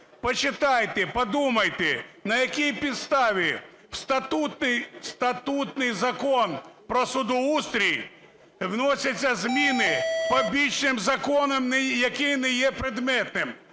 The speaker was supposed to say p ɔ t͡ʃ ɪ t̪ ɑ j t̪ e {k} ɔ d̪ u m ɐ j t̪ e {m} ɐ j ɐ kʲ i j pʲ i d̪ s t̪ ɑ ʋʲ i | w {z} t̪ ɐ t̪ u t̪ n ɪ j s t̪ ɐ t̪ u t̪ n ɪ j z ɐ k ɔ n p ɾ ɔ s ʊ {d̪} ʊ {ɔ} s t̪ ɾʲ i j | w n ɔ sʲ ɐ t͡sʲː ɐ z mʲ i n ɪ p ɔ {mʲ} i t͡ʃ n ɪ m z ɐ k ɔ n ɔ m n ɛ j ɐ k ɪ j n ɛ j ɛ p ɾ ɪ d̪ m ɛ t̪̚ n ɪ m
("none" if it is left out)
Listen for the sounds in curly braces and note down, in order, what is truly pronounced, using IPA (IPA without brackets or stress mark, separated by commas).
p, n, s, d̪, u, bʲ